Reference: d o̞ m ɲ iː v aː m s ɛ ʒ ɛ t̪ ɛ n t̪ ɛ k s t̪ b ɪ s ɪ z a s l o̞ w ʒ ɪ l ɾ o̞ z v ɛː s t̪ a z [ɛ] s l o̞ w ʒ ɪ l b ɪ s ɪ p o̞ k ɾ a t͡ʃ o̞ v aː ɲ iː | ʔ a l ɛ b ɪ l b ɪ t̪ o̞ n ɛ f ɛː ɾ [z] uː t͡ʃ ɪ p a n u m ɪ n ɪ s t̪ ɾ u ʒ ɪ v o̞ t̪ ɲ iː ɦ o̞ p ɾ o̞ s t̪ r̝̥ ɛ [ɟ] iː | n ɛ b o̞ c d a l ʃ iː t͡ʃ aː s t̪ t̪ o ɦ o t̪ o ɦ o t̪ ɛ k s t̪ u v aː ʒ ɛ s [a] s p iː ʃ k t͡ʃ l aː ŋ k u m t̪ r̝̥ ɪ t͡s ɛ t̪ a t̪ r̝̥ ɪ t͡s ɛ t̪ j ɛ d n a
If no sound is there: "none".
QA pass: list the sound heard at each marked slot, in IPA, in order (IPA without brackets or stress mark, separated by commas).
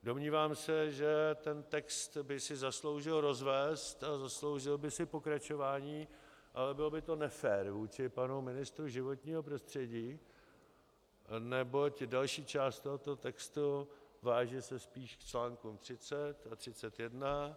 a, v, ɟ, ɛ